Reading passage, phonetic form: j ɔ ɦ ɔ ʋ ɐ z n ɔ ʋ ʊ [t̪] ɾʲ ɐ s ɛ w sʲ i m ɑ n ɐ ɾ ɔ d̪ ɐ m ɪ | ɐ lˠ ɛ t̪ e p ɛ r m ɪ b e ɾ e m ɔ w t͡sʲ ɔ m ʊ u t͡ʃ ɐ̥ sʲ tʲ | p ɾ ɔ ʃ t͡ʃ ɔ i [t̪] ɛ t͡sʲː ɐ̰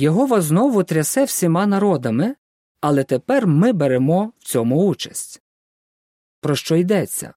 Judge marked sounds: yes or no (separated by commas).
yes, no